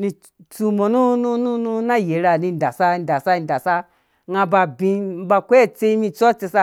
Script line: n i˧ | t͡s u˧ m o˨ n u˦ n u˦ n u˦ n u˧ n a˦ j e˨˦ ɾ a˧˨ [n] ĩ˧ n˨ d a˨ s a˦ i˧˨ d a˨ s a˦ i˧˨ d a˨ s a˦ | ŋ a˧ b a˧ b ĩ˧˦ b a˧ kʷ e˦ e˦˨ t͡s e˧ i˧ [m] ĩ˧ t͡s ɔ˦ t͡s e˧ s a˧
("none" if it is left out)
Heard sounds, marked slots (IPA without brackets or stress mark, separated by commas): n, m